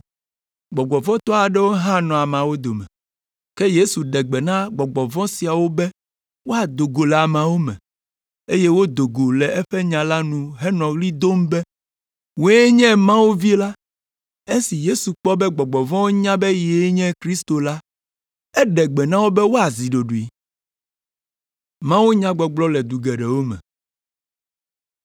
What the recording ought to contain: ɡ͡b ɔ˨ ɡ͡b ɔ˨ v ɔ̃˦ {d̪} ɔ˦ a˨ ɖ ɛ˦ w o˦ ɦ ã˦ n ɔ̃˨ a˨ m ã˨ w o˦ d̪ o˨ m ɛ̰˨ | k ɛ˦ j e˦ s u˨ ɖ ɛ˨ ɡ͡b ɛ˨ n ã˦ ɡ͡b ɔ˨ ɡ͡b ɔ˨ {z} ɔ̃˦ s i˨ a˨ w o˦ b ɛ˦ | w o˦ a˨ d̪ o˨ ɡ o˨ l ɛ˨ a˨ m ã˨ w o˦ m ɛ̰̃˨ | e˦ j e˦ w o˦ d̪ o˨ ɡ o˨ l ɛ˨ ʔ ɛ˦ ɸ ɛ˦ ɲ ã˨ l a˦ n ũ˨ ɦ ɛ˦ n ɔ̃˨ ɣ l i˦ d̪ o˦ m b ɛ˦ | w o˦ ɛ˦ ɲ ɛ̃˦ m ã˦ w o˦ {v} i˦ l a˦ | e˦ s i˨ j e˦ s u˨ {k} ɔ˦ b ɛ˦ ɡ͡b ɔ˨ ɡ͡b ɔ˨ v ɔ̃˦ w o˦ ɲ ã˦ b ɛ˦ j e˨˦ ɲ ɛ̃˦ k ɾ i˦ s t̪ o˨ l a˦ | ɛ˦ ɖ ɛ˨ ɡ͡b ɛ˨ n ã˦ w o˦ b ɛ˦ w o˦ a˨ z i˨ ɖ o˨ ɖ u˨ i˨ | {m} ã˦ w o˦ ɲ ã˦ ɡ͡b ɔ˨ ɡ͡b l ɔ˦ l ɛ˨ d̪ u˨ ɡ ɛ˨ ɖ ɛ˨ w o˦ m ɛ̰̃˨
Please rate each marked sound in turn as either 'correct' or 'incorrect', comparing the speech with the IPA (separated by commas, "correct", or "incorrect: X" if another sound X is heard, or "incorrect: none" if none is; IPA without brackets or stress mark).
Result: incorrect: t̪, incorrect: v, correct, incorrect: k͡p, correct